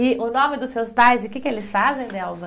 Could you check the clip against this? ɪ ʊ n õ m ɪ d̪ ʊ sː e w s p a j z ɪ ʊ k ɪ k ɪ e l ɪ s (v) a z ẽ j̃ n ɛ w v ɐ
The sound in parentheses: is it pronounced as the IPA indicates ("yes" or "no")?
no